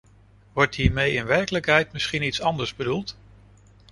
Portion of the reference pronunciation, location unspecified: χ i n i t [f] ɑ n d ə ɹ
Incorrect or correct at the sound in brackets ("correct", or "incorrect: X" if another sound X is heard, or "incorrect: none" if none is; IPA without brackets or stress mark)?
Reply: incorrect: s